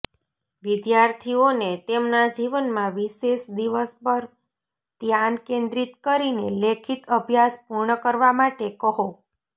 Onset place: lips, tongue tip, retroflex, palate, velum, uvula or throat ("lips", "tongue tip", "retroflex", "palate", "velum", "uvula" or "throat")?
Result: lips